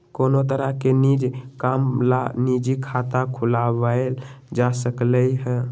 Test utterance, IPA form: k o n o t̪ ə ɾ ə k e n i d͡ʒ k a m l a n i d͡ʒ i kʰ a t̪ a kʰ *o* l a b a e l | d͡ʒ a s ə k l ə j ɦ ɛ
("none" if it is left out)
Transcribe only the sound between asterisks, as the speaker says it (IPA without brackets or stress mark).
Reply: u